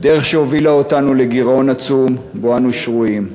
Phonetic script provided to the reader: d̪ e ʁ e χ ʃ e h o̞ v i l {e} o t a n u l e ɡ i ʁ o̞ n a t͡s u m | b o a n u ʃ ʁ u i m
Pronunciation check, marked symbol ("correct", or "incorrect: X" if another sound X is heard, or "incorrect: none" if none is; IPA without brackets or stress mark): incorrect: a